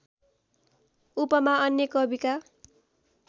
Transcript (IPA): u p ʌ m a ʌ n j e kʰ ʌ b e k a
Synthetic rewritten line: u p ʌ m a ʌ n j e k ʌ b i k a